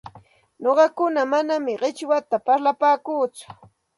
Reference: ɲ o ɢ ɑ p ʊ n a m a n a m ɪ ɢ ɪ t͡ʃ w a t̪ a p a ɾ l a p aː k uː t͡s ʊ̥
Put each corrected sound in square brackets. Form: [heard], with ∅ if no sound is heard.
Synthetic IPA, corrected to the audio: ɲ o ɢ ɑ [k] ʊ n a m a n a m ɪ ɢ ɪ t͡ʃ w a t̪ a p a ɾ l a p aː k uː t͡s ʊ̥